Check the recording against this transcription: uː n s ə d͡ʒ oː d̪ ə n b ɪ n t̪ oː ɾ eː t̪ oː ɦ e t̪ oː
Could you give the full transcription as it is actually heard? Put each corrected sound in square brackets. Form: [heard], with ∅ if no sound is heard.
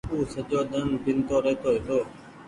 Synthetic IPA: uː [∅] s ə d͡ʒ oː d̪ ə n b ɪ n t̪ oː ɾ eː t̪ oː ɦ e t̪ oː